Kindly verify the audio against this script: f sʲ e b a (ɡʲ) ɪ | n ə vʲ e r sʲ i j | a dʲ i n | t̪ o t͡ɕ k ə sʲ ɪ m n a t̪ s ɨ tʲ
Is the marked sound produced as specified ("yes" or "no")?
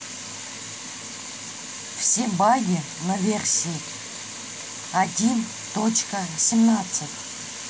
yes